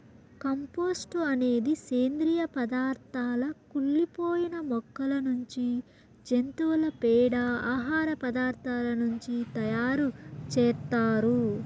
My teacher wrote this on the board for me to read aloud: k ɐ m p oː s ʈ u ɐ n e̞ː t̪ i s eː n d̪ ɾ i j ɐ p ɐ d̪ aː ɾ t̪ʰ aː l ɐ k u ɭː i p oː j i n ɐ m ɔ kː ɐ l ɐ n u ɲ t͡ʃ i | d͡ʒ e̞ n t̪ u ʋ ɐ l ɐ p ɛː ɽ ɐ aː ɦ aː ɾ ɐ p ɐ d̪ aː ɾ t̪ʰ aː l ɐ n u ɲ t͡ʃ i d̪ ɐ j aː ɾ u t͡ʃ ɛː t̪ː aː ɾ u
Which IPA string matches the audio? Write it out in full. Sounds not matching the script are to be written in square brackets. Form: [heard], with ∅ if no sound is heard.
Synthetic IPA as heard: k ɐ m p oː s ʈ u ɐ n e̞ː [d̪] i s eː n d̪ ɾ i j ɐ p ɐ d̪ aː ɾ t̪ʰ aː l ɐ k u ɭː i p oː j i n ɐ m ɔ kː ɐ l ɐ n u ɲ t͡ʃ i | d͡ʒ e̞ n t̪ u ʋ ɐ l ɐ p ɛː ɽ ɐ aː ɦ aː ɾ ɐ p ɐ d̪ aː ɾ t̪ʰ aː l ɐ n u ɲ t͡ʃ i [t̪] ɐ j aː ɾ u t͡ʃ ɛː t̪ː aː ɾ u